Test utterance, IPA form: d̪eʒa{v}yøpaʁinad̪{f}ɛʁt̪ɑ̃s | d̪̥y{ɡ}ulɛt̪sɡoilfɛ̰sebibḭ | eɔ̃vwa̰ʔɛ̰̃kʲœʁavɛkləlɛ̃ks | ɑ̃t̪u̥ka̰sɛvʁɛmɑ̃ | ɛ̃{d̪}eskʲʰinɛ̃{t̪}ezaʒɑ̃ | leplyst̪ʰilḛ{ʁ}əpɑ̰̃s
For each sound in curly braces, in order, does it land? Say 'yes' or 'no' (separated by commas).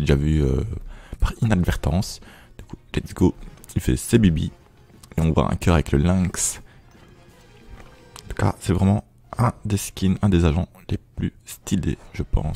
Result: yes, no, no, yes, no, no